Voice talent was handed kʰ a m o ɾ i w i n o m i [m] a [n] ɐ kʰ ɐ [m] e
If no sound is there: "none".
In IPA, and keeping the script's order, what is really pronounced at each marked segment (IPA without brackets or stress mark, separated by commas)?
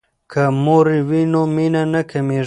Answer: n, n, m